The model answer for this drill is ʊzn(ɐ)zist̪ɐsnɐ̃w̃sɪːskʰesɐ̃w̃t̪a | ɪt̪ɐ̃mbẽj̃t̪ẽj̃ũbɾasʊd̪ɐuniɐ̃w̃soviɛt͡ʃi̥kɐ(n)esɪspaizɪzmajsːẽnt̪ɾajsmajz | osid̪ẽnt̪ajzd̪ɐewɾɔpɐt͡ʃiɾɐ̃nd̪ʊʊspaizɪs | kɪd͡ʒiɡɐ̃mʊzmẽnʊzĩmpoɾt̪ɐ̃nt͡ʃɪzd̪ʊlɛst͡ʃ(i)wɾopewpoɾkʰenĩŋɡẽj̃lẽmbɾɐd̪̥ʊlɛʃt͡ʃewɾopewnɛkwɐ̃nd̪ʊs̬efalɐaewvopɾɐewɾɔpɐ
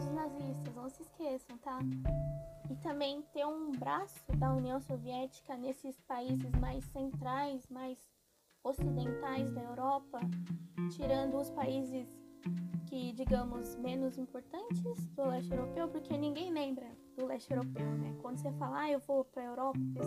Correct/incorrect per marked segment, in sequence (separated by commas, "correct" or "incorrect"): incorrect, correct, incorrect